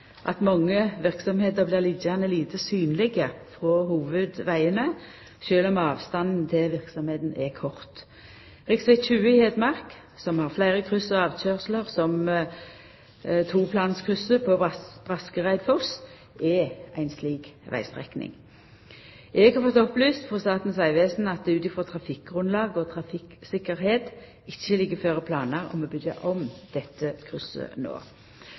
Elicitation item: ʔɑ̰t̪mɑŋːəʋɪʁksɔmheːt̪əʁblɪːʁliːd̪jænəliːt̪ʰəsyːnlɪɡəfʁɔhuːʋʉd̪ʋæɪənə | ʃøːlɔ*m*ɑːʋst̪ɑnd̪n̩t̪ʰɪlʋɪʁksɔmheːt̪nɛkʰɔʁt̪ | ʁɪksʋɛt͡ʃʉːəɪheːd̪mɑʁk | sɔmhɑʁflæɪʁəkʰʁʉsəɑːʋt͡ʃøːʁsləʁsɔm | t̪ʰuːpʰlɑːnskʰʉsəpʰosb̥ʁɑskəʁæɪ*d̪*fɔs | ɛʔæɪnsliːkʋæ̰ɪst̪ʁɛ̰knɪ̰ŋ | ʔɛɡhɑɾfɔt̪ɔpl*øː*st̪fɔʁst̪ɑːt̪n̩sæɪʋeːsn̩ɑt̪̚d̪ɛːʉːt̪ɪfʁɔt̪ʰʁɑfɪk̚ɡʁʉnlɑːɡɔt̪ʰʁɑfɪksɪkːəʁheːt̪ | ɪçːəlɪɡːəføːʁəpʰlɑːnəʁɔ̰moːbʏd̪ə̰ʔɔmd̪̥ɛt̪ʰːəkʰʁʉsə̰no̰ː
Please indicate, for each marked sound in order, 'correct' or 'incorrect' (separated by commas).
correct, correct, incorrect